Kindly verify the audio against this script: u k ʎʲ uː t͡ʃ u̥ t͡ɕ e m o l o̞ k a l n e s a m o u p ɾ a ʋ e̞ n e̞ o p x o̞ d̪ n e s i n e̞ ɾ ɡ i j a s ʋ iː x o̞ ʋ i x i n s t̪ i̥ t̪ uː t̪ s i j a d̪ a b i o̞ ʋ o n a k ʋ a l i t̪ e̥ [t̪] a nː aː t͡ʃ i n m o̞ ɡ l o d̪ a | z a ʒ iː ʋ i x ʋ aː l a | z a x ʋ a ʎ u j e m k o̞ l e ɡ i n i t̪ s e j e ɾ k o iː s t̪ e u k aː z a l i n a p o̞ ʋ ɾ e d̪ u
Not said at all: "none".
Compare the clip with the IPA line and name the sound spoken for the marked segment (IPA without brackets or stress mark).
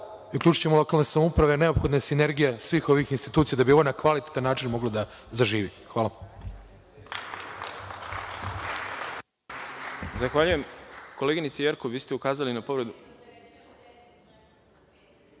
t̪